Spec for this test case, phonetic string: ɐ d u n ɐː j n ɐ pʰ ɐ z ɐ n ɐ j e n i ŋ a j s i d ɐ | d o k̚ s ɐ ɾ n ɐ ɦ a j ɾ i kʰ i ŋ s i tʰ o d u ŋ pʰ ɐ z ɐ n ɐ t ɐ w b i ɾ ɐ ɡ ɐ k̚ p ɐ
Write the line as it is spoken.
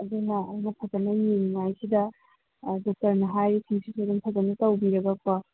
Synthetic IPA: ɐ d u n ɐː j n ɐ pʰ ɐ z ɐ n ɐ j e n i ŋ a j s i d ɐ | d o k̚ t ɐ ɾ n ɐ ɦ a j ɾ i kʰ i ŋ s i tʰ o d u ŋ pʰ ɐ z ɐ n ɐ t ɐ w b i ɾ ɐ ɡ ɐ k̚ p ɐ